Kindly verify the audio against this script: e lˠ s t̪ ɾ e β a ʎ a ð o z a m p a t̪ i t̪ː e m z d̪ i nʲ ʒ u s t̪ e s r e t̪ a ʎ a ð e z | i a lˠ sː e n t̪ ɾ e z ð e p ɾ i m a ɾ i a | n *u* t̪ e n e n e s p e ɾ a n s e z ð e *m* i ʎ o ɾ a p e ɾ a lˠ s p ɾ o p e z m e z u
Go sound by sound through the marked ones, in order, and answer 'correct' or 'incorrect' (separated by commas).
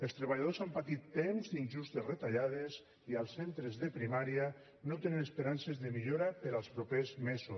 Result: incorrect, correct